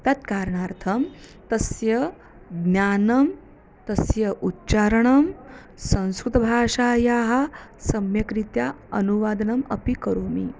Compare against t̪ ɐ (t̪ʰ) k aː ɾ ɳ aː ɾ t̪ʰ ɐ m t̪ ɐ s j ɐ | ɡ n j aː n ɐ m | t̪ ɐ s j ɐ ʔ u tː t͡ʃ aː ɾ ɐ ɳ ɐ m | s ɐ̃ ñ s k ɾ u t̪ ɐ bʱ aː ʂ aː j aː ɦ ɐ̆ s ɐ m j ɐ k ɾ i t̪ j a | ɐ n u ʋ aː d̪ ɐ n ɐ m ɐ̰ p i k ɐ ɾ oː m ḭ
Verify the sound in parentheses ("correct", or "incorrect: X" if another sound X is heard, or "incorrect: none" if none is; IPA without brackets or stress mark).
incorrect: t̪